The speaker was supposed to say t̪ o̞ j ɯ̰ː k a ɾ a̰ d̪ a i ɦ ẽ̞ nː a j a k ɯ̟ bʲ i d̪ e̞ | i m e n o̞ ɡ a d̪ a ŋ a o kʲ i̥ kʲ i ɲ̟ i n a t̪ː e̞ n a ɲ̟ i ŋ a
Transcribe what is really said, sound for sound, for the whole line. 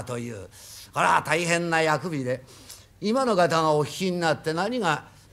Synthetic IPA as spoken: t̪ o̞ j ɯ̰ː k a ɾ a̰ t̪ a i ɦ ẽ̞ nː a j a k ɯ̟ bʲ i d̪ e̞ | i m a n o̞ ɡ a t̪ a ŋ a o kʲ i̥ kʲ i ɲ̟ i n a t̪ː e̞ n a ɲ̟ i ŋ a